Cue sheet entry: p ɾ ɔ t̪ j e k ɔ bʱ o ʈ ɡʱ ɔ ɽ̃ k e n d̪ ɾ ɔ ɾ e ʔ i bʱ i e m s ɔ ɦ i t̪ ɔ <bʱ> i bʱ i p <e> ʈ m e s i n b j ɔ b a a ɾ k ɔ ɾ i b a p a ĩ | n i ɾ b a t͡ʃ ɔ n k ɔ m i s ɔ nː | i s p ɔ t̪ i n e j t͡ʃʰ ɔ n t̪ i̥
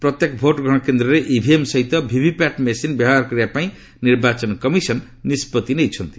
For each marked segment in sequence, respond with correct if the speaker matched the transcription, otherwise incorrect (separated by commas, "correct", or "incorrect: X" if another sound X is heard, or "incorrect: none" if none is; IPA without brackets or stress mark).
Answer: correct, incorrect: a